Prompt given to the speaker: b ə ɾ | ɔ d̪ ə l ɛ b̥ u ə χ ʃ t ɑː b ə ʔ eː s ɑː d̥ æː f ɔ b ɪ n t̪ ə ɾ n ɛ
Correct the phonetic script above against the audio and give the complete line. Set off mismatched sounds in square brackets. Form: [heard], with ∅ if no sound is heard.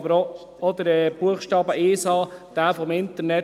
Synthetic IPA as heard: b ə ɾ | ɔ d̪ ə [ɾ] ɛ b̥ u ə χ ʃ t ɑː b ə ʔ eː s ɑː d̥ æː f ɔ [m] ɪ n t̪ ə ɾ n ɛ